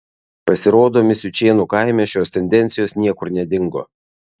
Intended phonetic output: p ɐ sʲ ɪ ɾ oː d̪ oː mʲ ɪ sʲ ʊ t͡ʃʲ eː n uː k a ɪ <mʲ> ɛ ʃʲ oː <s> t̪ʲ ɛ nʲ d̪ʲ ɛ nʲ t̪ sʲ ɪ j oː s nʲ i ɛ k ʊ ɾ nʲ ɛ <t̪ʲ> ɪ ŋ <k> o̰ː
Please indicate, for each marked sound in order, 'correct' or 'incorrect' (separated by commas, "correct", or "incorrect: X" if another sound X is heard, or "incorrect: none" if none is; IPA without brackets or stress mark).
correct, correct, incorrect: d̪ʲ, incorrect: ɡ